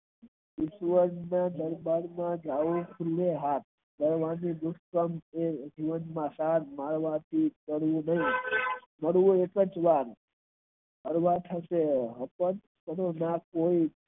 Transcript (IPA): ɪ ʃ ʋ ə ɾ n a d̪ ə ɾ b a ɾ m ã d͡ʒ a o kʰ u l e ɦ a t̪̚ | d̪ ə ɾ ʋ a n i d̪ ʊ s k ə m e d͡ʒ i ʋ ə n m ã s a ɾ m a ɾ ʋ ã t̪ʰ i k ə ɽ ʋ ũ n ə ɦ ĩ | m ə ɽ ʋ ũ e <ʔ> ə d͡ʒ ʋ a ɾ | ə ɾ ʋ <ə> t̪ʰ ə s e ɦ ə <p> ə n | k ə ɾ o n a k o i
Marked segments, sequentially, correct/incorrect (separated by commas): incorrect, incorrect, correct